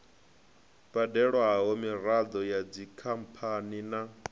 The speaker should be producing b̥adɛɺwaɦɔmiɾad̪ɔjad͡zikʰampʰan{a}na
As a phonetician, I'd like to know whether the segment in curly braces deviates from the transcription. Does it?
yes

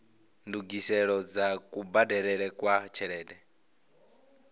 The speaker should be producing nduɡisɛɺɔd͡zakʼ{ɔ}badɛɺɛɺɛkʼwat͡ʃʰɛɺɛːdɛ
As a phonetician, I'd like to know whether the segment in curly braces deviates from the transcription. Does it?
yes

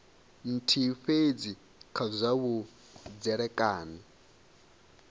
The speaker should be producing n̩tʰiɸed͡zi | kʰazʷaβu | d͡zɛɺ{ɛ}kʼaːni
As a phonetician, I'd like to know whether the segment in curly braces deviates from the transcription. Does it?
no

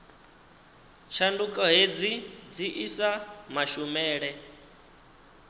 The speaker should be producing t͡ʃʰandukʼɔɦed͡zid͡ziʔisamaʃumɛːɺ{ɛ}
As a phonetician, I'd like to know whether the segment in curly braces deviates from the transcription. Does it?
no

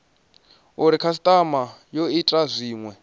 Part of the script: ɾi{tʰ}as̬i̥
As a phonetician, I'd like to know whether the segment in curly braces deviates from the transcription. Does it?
yes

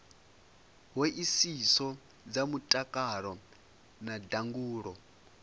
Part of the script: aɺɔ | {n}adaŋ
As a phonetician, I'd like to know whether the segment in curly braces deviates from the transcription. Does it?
no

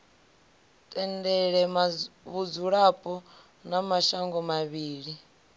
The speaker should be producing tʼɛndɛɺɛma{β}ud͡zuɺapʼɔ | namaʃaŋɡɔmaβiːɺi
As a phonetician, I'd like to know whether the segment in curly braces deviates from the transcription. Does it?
no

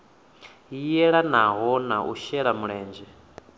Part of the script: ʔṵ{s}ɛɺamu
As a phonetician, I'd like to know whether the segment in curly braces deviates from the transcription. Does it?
yes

